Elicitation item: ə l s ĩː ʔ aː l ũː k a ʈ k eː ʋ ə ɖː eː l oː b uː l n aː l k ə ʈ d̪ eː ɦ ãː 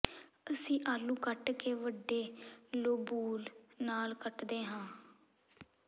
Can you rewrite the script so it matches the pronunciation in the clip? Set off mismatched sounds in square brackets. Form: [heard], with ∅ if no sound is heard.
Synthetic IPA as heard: ə [∅] s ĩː ʔ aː l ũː k [ə] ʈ k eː ʋ ə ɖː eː l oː b uː l n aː l k ə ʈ d̪ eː ɦ ãː